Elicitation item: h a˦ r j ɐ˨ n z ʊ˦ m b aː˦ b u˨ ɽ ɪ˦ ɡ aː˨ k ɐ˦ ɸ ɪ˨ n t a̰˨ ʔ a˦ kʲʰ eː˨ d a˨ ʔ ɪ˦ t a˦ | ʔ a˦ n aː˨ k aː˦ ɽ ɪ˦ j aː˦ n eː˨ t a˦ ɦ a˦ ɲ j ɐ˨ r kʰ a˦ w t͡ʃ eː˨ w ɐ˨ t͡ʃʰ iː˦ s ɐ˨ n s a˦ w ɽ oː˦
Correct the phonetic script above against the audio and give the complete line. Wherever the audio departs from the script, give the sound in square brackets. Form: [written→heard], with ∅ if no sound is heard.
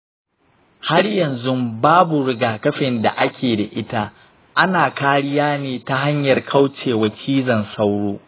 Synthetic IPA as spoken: h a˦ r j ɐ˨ n z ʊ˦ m b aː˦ b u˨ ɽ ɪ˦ ɡ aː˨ k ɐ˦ ɸ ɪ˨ n [t→d] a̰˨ ʔ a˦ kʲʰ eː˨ d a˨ ʔ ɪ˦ t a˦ | ʔ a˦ n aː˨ k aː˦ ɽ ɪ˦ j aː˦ n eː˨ t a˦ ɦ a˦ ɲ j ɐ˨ r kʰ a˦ w t͡ʃ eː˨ w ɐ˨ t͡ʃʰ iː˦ [s→z] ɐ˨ n s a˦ w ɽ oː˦